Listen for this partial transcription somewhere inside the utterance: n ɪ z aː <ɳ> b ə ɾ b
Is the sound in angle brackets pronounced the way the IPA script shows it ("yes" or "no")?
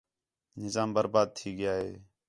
no